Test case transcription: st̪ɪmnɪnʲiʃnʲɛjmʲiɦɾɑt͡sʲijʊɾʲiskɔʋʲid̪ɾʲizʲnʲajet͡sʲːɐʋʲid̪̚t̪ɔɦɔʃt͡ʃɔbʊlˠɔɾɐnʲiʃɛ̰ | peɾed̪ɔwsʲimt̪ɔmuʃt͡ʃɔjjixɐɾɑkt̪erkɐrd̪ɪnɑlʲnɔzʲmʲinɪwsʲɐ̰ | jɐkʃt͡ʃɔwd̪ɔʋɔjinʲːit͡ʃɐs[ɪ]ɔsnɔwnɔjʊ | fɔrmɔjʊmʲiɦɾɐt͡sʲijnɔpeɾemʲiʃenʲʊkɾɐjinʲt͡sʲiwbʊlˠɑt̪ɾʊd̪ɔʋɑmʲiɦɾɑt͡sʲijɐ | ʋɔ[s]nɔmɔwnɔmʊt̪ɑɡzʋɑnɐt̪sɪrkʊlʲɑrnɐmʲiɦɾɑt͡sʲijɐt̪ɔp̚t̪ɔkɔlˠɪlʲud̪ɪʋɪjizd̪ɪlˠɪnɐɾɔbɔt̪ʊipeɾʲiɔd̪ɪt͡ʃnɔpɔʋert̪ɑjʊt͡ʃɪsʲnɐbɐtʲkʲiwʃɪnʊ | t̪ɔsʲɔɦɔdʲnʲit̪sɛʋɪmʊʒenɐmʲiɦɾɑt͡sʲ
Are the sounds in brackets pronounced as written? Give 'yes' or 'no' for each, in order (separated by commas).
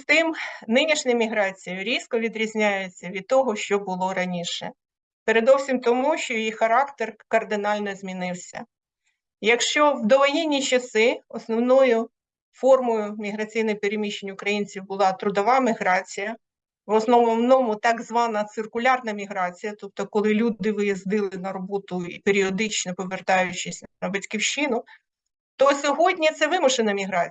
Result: yes, yes